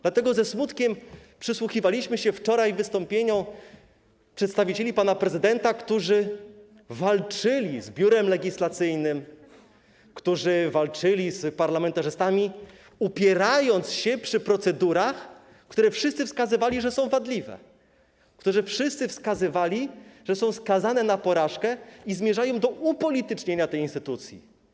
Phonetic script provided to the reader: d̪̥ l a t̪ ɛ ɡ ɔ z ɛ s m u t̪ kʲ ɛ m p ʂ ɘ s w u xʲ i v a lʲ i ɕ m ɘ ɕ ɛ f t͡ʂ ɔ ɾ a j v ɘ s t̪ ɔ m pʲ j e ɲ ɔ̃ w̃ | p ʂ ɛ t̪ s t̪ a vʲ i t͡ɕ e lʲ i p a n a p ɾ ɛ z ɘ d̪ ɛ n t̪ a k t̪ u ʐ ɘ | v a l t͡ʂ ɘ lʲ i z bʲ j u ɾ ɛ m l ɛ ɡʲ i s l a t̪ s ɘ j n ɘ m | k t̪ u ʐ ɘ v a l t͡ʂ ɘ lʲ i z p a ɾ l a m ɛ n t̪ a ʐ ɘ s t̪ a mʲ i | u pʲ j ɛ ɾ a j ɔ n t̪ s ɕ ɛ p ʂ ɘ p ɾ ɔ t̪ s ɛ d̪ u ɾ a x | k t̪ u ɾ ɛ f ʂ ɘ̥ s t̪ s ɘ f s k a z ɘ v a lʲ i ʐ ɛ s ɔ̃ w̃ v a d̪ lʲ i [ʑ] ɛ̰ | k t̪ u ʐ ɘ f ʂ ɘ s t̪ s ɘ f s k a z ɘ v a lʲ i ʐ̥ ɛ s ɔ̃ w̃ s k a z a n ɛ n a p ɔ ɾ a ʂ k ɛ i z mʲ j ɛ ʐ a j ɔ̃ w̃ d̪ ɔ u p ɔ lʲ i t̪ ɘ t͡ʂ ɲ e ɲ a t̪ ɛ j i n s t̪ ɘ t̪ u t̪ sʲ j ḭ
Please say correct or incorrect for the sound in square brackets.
incorrect